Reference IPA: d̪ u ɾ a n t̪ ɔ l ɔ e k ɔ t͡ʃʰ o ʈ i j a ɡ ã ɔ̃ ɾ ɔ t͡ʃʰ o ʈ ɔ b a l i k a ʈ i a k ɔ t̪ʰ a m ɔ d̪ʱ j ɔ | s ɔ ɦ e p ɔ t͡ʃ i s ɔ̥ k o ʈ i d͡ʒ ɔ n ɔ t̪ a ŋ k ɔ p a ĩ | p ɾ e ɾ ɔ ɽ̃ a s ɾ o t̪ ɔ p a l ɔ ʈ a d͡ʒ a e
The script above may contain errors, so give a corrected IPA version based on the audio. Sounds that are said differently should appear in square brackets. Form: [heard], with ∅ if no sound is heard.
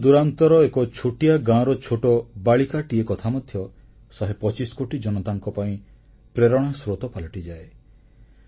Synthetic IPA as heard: d̪ u ɾ a n t̪ ɔ [ɾ] ɔ e k ɔ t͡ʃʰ o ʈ i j a ɡ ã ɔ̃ ɾ ɔ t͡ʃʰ o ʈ ɔ b a [ɭ] i k a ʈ i [e] k ɔ t̪ʰ a m ɔ d̪ʱ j ɔ | s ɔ ɦ e p ɔ t͡ʃ i s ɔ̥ k o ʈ i d͡ʒ ɔ n ɔ t̪ a ŋ k ɔ p a ĩ | p ɾ e ɾ ɔ ɽ̃ a s ɾ o t̪ ɔ p a l ɔ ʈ [i] d͡ʒ a e